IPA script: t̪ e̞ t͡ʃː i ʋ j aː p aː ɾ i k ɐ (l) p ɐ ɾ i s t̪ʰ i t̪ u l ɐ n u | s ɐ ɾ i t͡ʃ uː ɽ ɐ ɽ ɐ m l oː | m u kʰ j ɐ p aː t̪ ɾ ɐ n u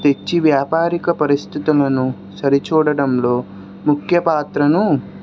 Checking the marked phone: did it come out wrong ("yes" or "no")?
yes